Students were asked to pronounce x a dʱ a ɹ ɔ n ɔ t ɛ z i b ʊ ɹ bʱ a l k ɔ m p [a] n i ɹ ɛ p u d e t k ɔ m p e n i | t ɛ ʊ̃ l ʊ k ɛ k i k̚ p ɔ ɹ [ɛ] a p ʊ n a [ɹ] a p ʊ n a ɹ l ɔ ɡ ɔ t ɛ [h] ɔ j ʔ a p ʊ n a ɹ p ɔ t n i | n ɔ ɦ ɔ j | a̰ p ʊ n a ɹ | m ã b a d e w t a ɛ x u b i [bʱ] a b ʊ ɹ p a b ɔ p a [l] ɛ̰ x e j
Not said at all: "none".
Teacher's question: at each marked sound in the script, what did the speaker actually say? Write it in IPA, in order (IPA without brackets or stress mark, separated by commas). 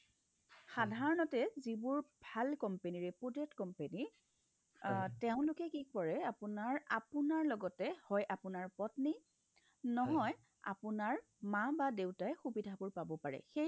e, ɛ, ɹ, h, dʱ, ɹ